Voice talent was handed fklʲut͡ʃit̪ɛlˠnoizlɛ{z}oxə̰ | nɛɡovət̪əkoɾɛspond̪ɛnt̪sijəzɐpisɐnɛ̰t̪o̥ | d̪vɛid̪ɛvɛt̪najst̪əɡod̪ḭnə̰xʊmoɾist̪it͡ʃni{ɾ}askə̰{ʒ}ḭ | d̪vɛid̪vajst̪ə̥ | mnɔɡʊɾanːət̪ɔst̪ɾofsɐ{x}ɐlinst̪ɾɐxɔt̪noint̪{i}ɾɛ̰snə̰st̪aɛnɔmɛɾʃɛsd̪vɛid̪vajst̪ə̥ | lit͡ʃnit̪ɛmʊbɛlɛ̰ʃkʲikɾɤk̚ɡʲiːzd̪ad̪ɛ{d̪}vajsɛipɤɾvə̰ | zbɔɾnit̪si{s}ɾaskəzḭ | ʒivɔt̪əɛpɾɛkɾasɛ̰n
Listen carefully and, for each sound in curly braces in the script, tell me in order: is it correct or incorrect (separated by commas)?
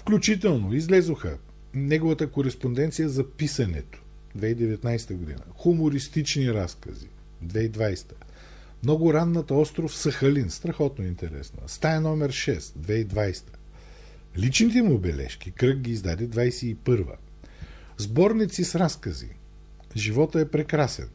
correct, correct, incorrect, correct, incorrect, correct, correct